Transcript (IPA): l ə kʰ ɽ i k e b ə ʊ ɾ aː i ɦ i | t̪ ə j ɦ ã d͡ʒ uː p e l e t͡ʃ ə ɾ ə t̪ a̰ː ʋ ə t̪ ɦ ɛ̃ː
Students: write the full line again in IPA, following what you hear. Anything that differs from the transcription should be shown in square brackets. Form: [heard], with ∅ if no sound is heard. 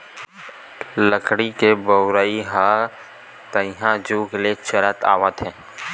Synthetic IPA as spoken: l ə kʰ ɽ i k e b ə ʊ ɾ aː i ɦ [a] | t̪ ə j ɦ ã d͡ʒ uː [k] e l e t͡ʃ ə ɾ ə t̪ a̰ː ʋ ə t̪ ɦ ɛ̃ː